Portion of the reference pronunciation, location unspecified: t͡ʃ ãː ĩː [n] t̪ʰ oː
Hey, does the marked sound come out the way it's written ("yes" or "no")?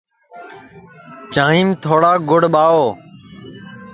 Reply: no